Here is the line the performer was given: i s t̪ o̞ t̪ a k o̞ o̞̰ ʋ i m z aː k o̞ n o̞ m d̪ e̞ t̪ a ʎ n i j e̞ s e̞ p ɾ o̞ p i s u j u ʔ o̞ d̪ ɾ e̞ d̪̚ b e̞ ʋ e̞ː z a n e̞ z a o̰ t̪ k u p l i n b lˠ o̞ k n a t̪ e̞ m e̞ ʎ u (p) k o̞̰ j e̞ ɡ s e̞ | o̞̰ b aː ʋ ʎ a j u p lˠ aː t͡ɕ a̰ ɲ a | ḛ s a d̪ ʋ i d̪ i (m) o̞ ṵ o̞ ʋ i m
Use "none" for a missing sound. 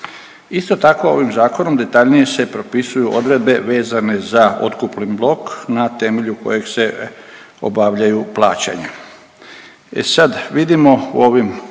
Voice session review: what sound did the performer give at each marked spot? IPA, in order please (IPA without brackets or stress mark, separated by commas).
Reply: none, m